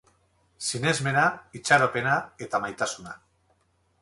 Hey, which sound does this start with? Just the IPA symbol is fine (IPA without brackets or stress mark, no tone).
s